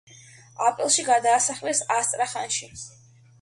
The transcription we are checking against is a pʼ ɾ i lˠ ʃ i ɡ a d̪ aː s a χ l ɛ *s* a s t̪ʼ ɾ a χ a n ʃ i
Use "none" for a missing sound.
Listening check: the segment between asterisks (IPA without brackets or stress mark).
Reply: s